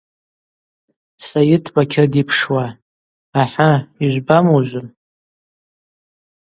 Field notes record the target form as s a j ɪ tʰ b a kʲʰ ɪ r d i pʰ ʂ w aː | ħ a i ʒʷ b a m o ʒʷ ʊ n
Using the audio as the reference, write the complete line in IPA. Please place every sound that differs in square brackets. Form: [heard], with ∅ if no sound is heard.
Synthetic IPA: s a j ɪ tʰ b a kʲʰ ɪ r d i pʰ ʂ w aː | ħ a i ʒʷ b a m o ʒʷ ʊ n